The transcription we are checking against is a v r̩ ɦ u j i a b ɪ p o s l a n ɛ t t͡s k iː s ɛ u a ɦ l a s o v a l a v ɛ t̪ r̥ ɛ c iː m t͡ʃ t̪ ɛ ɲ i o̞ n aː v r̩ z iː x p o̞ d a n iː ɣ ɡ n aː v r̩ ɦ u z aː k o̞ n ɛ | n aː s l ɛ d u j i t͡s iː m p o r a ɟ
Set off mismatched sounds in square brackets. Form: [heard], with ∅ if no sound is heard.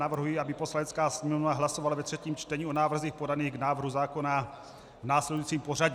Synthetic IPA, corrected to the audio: a v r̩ ɦ u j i a b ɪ p o s l a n ɛ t t͡s k [aː] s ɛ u a ɦ l a s o v a l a v ɛ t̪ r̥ ɛ c iː m t͡ʃ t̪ ɛ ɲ i o̞ n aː v r̩ z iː x p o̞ d a n iː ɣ ɡ n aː v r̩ ɦ u z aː k o̞ n [a] | n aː s l ɛ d u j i t͡s iː m p o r a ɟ